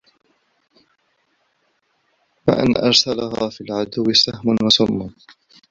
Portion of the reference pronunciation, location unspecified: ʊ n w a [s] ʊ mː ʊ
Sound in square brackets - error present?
no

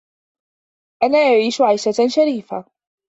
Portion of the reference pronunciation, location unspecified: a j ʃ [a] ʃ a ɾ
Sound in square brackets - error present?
no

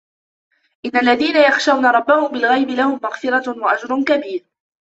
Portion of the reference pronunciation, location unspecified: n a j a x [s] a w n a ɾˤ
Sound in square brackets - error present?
yes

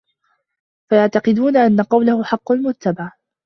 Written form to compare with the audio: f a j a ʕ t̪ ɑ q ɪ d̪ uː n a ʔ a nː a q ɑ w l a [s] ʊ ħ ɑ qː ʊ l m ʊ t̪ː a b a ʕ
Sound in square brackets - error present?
yes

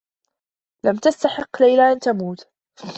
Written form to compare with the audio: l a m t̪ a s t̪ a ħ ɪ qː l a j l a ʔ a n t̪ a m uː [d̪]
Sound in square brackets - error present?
yes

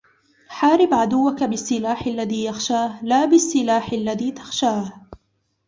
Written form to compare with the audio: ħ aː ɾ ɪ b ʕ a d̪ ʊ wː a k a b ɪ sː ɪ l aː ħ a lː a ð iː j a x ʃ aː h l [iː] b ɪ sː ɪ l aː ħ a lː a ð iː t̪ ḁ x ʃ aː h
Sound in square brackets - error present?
yes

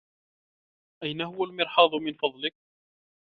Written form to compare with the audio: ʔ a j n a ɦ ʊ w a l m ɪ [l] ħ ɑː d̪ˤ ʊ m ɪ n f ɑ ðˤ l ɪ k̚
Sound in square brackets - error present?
yes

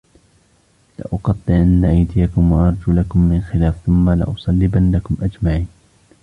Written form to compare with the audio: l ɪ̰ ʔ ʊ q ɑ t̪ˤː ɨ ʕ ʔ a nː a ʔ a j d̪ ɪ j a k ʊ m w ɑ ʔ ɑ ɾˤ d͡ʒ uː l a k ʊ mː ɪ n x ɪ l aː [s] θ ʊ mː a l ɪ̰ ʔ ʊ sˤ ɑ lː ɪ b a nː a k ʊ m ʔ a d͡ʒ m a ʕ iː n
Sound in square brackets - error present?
yes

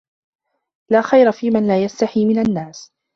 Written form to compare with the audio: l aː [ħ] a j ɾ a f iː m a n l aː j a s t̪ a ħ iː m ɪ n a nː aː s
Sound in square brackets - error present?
yes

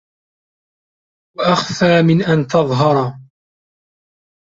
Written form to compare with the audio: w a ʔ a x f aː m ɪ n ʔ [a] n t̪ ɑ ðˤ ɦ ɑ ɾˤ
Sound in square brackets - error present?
no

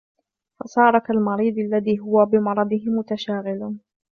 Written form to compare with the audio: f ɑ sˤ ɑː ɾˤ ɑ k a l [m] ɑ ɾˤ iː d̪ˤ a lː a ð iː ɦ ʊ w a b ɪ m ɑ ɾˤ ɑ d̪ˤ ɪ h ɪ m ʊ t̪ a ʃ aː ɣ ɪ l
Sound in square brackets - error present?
no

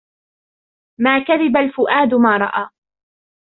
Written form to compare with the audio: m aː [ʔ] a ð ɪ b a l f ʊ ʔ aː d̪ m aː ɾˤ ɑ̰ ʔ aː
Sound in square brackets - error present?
yes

